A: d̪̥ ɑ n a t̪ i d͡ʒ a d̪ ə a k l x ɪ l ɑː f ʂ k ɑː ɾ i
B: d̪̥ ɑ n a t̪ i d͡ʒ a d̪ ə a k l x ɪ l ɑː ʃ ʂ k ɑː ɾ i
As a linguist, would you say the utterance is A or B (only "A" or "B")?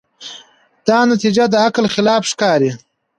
A